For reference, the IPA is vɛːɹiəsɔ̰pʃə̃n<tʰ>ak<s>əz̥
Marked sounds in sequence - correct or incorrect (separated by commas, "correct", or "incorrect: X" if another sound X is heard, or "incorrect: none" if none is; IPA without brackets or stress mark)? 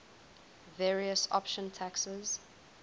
correct, correct